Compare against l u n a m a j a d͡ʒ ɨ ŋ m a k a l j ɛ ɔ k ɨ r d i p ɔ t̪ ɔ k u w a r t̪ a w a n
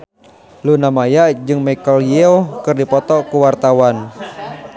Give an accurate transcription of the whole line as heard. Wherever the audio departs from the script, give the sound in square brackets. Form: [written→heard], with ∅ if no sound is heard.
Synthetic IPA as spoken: l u n a m a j a d͡ʒ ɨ ŋ m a k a l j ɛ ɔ k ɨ r d i p ɔ t̪ ɔ k u w a r t̪ a w a n